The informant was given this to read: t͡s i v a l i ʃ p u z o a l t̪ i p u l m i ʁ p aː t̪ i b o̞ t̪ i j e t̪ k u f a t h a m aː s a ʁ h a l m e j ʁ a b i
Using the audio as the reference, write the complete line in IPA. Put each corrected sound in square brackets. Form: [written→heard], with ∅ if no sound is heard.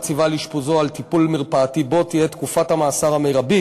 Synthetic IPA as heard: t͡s i v a l i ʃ p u z o a l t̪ i p u l m i ʁ p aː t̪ i b o̞ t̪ i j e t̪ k u f a t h a m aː s a ʁ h a [l→∅] m e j ʁ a b i